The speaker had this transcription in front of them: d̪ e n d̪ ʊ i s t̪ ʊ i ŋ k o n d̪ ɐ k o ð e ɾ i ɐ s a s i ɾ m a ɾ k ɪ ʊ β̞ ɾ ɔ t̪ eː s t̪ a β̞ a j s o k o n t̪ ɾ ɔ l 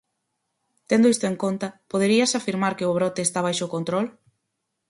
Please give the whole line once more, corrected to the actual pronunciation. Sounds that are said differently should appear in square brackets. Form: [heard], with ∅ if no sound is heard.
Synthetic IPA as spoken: [t̪] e n d̪ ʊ i s t̪ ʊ [e] ŋ k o n [t̪] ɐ [p] o ð e ɾ i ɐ s a [f] i ɾ m a ɾ k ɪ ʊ β̞ ɾ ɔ t̪ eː s t̪ a β̞ a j [ʃ] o k o n t̪ ɾ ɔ l